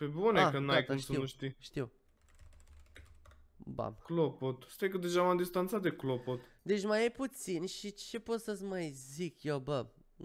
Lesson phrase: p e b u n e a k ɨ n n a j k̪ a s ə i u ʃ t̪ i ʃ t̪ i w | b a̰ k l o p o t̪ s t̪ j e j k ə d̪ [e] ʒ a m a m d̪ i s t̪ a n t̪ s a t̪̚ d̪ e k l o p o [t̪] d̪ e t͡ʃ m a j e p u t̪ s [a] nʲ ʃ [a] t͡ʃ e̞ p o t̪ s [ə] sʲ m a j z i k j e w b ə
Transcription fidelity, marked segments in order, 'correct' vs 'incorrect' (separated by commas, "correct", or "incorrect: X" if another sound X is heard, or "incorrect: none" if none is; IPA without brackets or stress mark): correct, correct, incorrect: i, incorrect: i, correct